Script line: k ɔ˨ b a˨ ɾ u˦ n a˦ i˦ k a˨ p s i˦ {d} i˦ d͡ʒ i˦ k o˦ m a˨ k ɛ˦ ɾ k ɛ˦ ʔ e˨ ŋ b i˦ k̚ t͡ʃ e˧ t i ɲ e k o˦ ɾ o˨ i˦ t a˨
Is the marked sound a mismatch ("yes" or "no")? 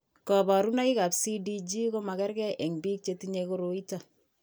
no